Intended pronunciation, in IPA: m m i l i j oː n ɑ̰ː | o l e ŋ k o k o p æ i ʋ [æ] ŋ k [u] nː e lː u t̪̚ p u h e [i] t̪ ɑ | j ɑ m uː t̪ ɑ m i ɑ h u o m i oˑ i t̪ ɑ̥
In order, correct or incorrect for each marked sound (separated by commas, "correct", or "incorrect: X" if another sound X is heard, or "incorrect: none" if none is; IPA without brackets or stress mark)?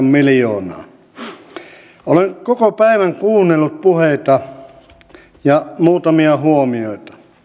correct, incorrect: uː, correct